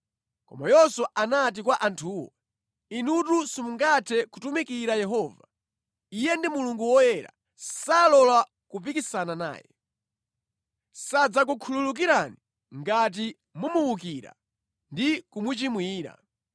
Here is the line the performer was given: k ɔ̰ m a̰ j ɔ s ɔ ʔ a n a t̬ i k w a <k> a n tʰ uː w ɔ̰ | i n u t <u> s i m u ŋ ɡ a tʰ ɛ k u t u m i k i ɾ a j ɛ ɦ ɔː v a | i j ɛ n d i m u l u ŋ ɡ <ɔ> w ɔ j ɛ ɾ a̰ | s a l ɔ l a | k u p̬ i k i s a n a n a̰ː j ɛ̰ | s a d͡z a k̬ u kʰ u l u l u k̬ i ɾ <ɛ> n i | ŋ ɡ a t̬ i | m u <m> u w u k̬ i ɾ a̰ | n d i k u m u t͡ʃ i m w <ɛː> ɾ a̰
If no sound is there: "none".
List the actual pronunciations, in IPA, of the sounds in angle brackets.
ʔ, u, u, a, m, iː

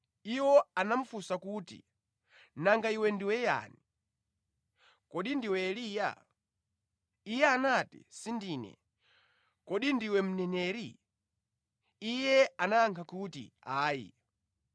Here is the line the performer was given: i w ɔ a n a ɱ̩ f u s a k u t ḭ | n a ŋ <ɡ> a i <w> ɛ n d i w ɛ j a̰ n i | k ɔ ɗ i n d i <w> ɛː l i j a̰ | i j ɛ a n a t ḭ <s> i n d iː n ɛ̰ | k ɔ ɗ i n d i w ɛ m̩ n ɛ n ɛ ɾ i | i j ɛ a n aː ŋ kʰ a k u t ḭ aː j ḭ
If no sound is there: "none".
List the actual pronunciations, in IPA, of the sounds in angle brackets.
ɡ, w, w, s

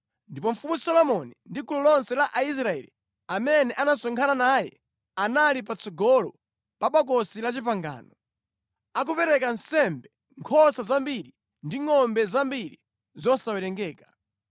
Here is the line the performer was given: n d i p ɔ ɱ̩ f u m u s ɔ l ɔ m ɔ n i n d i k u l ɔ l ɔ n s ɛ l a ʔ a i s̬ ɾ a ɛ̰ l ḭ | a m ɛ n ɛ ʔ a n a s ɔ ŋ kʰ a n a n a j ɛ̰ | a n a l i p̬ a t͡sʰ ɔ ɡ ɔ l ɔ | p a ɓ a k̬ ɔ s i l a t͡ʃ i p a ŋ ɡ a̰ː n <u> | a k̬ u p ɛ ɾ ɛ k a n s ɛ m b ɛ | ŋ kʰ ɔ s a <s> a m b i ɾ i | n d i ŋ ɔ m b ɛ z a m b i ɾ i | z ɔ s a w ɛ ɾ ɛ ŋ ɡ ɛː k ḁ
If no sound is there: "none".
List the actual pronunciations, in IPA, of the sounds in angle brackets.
ɔ, z

